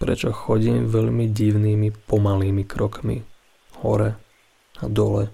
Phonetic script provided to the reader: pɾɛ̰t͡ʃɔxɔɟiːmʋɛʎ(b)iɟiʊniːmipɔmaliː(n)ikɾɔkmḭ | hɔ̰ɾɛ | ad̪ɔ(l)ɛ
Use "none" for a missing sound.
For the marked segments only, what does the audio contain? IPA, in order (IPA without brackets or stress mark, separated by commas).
m, m, l